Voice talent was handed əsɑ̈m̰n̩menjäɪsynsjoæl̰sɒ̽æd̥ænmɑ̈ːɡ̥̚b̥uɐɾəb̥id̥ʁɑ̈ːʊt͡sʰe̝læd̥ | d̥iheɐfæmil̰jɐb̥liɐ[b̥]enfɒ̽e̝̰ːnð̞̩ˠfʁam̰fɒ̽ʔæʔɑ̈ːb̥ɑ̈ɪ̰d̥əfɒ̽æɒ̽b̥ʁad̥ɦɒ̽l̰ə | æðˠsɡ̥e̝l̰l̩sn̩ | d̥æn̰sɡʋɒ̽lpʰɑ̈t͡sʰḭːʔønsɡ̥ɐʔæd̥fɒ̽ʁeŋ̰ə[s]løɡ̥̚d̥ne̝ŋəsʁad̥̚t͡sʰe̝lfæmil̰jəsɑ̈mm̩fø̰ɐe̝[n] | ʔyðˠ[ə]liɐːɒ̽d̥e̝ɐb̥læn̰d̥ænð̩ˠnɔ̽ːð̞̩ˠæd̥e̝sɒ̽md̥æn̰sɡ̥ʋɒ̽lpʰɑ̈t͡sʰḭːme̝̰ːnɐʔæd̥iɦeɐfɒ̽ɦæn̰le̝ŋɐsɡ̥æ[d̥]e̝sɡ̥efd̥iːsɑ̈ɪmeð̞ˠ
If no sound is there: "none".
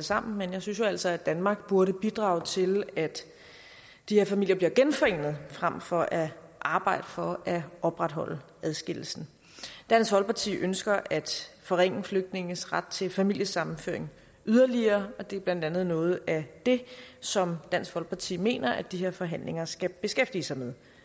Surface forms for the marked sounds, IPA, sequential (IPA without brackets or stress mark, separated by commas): ɡ̥, f, ŋ, ɐ, b̥